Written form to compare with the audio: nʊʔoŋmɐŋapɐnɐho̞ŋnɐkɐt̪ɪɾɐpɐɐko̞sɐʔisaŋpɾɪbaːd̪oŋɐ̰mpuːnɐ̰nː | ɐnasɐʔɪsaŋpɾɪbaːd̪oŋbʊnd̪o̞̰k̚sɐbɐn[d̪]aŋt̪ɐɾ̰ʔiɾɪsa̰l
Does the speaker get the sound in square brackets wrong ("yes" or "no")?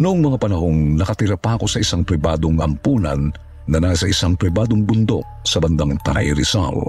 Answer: no